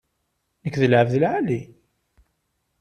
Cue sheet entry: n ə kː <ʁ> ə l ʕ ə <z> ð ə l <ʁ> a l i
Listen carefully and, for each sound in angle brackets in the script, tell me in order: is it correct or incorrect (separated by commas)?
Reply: incorrect, incorrect, incorrect